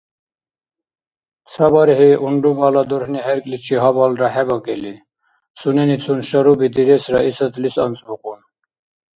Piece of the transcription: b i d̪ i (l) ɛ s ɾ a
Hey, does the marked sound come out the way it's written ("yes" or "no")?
no